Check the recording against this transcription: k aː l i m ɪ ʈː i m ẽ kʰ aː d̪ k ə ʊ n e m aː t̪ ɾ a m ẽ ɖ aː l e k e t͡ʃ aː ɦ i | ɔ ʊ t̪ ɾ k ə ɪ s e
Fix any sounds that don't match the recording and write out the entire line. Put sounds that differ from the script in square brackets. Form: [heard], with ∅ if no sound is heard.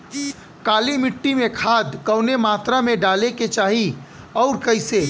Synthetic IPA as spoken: k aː l i m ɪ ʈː i m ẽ kʰ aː d̪ k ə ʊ n e m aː t̪ ɾ a m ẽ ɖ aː l e k e t͡ʃ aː ɦ i | ɔ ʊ [∅] ɾ k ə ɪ s e